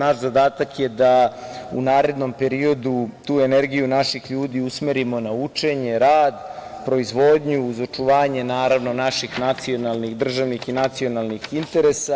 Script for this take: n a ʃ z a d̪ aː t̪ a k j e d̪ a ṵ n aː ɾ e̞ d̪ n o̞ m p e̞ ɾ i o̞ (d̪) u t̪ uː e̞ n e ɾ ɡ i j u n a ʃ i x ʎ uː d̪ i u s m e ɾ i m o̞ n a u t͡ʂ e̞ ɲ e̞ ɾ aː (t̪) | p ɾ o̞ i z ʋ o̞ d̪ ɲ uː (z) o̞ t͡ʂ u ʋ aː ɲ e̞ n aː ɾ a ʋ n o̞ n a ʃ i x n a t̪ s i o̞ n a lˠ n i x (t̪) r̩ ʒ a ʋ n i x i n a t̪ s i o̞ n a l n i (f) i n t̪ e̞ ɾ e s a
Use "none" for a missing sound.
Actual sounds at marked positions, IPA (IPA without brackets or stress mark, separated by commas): d̪, d̪, z, d̪, x